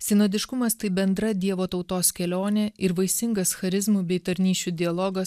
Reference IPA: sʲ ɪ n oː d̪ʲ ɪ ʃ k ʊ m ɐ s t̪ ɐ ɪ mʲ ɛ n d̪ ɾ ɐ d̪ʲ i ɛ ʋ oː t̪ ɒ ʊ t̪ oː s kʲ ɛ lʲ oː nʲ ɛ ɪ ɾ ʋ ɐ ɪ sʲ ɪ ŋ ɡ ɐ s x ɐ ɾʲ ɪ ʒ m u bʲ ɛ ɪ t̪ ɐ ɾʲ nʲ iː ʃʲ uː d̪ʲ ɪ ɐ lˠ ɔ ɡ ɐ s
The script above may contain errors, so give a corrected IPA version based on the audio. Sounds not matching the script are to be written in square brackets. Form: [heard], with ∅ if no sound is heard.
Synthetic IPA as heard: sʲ ɪ n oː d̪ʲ ɪ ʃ k ʊ m ɐ s t̪ ɐ ɪ [bʲ] ɛ n d̪ ɾ ɐ d̪ʲ i ɛ ʋ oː t̪ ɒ ʊ t̪ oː s kʲ ɛ lʲ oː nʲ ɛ ɪ ɾ ʋ ɐ ɪ sʲ ɪ ŋ ɡ ɐ s x ɐ ɾʲ ɪ [z] m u bʲ ɛ ɪ t̪ ɐ ɾʲ nʲ iː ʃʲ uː d̪ʲ ɪ ɐ lˠ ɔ ɡ ɐ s